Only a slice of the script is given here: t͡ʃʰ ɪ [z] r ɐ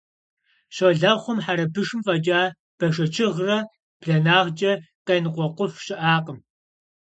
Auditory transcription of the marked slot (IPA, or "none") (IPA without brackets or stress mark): ʁ